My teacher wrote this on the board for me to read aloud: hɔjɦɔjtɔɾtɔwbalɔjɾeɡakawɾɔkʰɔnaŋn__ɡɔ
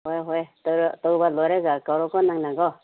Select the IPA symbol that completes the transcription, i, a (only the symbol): a